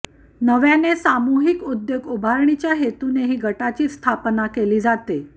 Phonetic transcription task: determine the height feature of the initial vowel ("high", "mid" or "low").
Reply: mid